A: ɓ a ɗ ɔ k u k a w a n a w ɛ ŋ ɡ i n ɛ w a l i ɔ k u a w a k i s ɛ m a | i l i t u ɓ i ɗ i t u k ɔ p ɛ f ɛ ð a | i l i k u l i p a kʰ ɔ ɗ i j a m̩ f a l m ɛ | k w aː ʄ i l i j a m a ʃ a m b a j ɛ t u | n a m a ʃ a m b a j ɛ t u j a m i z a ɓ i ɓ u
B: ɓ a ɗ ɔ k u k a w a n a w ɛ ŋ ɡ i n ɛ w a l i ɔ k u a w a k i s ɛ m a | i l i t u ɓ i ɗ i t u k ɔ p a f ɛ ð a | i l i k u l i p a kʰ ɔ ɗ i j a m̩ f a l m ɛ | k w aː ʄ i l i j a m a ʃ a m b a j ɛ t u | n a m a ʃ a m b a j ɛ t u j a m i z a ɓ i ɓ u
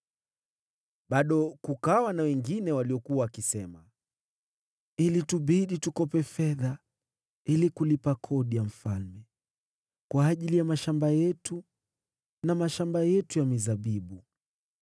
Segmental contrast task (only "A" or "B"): A